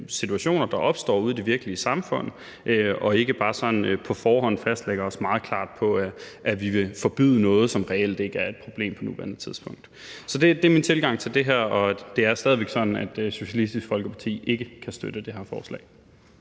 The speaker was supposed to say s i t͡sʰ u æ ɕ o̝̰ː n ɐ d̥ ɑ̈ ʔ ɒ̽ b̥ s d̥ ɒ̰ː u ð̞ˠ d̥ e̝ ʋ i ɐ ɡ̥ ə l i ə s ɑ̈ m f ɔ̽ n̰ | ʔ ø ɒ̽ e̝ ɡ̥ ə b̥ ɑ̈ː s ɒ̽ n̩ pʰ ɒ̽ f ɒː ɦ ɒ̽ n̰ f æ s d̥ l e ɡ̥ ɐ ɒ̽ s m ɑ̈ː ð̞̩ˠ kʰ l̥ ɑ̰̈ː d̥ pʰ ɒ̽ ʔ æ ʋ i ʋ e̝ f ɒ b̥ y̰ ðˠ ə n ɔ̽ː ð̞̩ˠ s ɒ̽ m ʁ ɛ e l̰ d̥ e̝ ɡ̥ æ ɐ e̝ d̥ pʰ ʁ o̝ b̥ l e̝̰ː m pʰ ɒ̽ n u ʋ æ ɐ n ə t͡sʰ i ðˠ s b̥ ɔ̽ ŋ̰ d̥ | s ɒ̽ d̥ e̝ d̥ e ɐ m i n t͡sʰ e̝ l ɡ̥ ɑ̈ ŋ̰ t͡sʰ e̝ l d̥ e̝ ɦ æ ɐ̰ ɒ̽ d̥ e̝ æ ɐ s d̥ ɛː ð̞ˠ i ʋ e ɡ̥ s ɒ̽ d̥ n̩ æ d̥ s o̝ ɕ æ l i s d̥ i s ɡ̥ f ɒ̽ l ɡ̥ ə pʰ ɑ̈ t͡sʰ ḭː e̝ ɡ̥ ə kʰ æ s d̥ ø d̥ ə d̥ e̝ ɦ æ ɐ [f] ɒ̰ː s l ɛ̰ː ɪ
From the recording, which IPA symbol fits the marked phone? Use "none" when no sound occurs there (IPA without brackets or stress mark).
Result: f